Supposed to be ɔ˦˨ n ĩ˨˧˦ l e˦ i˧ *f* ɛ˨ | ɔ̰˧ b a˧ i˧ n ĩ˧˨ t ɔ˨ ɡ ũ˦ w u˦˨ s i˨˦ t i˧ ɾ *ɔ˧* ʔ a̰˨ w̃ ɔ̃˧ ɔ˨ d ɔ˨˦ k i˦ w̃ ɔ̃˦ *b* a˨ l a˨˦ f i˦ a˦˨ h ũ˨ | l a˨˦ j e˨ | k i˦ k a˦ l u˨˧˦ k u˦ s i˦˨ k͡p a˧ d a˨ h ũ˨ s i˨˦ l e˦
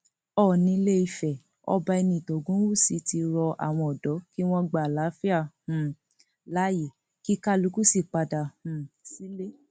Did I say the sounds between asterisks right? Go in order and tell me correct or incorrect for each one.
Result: correct, correct, incorrect

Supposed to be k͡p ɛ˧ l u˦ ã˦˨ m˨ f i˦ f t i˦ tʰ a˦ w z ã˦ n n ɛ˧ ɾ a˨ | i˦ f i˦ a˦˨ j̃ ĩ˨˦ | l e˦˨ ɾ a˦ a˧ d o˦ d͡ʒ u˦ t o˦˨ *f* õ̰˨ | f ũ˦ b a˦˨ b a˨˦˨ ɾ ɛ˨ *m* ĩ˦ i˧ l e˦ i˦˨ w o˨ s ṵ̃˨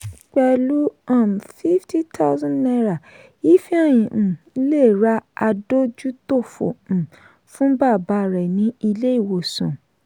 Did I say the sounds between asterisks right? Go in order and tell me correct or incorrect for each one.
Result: correct, incorrect

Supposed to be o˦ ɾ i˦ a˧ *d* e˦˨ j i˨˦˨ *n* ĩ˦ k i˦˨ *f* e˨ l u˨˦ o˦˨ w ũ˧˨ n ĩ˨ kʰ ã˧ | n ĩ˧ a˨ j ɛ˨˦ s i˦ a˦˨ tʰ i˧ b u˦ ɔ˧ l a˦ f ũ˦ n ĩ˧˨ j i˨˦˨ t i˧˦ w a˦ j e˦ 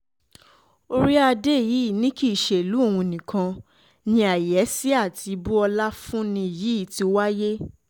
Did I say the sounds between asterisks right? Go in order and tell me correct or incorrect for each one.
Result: correct, correct, incorrect

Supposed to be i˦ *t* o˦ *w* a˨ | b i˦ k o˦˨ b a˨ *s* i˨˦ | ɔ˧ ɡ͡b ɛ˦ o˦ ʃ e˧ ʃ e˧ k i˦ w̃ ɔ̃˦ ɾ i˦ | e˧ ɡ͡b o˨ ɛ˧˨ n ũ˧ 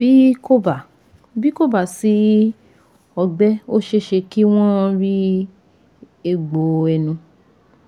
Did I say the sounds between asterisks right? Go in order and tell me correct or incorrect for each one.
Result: incorrect, incorrect, correct

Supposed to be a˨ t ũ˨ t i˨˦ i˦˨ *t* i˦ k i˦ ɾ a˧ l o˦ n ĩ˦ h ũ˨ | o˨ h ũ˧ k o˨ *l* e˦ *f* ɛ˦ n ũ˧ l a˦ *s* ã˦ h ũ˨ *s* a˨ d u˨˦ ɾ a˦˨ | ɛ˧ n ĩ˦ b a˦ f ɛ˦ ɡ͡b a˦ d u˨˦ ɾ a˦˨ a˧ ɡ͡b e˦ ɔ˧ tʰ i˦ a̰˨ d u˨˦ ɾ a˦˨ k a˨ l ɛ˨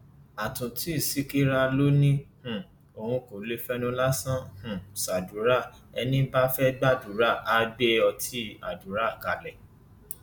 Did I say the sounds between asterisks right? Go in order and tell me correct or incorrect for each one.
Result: incorrect, correct, correct, correct, correct

